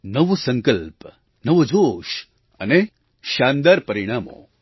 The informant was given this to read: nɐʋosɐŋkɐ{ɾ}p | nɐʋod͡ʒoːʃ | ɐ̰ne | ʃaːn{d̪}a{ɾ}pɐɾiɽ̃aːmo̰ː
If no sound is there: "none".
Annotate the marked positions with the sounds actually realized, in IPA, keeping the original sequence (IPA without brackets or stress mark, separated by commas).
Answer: l, d̪, ɾ